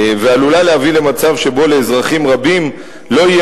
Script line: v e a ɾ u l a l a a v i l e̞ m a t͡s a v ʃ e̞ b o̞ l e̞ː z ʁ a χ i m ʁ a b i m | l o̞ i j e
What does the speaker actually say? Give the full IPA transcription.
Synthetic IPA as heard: v e a l u l a l e a v i l e̞ m a t͡s a v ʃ e̞ b o̞ l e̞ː z ʁ a χ i m ʁ a b i m | l o̞ i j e